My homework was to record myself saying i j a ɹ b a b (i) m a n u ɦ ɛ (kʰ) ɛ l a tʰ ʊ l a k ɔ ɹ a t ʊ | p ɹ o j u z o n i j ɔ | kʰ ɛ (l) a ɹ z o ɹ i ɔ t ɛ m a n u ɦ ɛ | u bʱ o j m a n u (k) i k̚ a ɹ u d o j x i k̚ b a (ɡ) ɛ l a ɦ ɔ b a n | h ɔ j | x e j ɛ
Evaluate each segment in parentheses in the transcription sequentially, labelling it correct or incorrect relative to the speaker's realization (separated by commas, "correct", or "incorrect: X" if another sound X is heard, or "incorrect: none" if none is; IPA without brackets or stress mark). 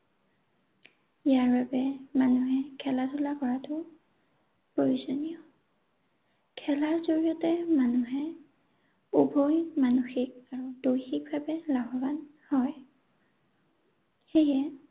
incorrect: ɛ, correct, correct, incorrect: x, incorrect: b